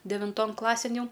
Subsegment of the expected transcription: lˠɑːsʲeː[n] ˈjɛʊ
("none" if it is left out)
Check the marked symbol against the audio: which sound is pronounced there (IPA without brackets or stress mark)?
n